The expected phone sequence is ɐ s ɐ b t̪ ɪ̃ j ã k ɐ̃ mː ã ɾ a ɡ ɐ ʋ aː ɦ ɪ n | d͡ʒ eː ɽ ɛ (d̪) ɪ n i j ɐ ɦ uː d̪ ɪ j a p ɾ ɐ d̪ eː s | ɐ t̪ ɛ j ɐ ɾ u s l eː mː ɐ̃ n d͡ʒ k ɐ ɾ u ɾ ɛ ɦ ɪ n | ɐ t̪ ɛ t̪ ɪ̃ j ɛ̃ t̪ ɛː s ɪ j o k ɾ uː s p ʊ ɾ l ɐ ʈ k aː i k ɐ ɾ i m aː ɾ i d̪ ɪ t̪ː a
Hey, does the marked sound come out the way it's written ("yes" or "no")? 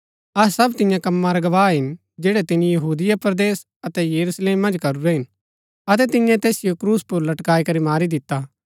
no